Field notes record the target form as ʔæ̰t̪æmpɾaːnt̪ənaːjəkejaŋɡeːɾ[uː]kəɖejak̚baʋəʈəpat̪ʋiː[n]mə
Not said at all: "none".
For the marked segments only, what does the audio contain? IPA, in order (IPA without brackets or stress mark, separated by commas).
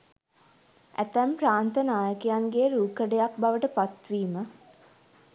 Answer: uː, none